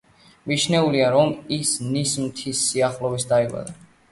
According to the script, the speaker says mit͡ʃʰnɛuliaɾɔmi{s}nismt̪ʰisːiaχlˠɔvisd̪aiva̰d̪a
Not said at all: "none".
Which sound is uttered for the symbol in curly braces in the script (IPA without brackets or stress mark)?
s